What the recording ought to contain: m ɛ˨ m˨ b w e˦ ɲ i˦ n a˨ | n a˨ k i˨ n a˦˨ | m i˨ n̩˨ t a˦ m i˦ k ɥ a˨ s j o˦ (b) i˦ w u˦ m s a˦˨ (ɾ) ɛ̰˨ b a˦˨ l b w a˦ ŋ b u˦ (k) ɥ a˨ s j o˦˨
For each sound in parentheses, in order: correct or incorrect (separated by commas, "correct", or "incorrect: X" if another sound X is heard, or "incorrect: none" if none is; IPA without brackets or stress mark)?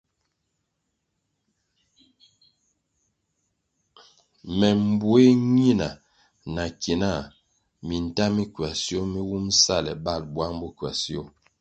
incorrect: m, incorrect: l, correct